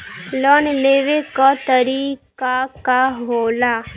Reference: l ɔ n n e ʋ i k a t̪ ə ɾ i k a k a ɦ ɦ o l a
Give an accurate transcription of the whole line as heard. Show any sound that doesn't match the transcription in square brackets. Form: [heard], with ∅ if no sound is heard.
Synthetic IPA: l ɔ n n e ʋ [e] k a t̪ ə ɾ i k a k a ɦ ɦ o l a